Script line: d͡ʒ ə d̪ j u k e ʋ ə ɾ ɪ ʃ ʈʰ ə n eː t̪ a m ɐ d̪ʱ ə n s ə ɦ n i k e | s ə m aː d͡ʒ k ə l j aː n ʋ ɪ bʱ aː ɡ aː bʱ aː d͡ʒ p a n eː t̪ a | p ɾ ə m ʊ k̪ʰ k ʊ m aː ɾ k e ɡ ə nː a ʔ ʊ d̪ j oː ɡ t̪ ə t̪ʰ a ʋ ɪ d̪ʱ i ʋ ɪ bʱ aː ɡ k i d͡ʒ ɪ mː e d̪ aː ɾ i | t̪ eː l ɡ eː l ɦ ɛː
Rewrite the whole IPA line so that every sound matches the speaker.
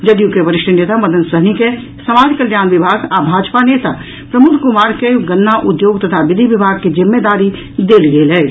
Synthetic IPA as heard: d͡ʒ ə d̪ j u k e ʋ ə ɾ ɪ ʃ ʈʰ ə n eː t̪ a m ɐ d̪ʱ ə n s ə ɦ n i k e | s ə m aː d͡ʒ k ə l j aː n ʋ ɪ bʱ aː ɡ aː bʱ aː d͡ʒ p a n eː t̪ a | p ɾ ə m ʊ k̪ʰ k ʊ m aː ɾ k e ɡ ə nː a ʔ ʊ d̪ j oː ɡ t̪ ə t̪ʰ a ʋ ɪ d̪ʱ i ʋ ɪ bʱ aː ɡ k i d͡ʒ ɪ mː e d̪ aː ɾ i | d̪ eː l ɡ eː l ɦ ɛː